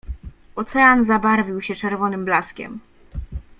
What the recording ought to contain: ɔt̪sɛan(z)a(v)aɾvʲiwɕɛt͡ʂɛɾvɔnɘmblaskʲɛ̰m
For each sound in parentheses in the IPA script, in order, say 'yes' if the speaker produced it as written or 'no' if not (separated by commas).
yes, no